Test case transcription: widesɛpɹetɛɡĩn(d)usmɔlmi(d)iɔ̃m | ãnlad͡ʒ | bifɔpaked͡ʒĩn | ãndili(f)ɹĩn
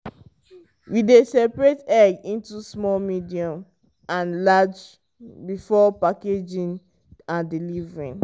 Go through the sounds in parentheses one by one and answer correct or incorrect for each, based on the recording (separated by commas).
incorrect, correct, incorrect